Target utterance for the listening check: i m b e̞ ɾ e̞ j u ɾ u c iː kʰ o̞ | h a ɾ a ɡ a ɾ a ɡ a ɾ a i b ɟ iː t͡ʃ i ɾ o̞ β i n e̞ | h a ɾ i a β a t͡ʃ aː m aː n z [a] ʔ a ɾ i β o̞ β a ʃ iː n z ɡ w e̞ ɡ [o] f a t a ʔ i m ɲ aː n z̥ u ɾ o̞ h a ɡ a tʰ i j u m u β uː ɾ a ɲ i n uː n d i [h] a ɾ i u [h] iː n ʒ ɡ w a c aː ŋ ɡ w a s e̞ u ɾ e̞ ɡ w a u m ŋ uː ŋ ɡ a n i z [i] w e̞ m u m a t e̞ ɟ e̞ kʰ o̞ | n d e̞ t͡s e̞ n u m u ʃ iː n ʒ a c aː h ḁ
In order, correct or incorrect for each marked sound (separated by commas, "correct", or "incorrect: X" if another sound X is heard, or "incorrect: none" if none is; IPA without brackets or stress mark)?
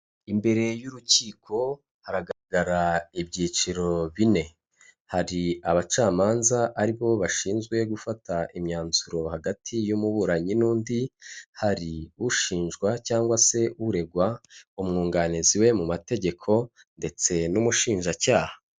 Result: correct, incorrect: u, correct, incorrect: ʃ, correct